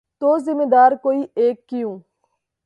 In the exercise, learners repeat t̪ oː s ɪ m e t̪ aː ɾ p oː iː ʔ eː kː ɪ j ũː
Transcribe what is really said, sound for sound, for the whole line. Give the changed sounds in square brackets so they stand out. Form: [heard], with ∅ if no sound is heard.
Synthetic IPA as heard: t̪ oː [z] ɪ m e [d̪] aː ɾ [k] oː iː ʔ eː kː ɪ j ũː